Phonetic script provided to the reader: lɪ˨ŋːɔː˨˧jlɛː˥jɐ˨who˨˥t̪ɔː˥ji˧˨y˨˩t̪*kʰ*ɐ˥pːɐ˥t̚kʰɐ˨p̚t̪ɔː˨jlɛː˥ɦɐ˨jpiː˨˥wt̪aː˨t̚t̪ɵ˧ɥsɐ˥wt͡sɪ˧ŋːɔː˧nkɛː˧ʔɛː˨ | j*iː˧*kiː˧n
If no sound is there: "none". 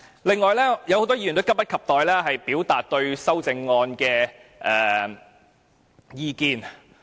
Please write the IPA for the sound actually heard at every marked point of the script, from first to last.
k, iː˧

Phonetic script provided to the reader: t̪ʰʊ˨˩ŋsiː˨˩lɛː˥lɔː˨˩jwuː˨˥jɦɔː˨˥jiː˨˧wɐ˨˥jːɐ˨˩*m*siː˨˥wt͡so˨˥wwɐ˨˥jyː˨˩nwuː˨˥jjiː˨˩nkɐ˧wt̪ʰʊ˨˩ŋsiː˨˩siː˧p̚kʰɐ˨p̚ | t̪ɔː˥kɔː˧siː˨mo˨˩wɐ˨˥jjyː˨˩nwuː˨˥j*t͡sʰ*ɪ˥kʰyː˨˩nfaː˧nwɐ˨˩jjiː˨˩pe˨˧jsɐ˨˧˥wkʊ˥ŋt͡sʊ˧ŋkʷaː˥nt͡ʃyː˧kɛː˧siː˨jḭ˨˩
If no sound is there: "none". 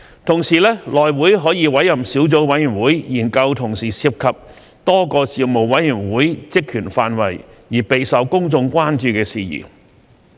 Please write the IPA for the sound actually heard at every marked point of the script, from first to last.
m, t͡s

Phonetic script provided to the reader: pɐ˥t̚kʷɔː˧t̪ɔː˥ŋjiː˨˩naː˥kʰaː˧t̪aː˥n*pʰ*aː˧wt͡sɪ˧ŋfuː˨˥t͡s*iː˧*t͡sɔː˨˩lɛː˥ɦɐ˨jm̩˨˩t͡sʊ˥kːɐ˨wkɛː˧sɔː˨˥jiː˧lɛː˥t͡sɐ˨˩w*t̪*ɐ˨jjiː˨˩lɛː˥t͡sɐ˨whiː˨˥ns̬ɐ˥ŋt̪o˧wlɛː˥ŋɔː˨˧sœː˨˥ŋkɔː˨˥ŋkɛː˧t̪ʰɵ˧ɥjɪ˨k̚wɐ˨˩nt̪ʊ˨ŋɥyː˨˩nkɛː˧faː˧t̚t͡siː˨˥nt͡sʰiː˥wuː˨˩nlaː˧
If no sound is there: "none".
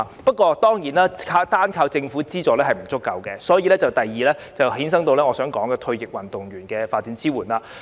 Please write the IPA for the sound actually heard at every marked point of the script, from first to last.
kʰ, iː˥, t̪

